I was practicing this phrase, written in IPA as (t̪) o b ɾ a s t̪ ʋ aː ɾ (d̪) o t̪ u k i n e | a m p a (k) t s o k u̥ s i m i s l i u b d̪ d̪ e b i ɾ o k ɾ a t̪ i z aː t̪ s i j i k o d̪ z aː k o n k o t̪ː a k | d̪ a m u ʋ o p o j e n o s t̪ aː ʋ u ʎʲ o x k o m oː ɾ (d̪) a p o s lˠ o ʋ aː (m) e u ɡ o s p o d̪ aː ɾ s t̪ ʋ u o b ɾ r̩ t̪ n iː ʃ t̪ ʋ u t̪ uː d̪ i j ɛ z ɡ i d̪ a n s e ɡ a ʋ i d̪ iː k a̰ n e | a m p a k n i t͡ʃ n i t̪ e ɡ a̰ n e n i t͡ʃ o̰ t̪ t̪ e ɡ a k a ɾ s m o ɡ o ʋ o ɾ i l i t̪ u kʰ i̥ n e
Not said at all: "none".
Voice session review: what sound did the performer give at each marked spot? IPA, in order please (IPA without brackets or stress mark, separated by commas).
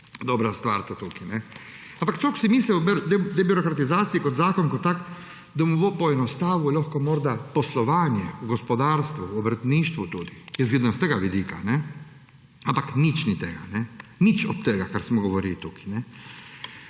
d̪, t̪, k, d̪, ɲ